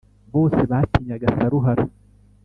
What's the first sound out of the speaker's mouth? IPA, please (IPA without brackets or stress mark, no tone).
b